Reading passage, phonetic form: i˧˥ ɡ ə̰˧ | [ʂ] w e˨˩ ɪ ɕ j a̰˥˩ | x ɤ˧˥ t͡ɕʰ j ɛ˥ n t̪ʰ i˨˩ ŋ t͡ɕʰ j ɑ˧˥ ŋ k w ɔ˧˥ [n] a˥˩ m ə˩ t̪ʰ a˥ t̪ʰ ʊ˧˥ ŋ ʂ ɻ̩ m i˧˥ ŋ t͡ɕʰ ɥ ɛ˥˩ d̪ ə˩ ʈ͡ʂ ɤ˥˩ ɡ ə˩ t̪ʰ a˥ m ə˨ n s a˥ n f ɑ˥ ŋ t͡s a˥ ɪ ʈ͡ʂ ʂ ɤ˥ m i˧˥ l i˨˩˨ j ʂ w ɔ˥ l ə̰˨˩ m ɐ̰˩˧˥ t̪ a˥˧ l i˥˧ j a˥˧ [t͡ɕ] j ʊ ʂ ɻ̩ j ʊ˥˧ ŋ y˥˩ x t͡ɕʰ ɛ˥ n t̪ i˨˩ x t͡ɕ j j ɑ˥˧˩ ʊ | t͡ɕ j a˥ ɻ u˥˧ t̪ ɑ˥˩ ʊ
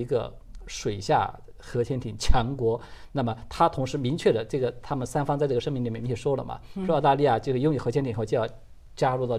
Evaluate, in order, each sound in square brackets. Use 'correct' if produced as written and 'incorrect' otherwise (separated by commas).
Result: correct, correct, correct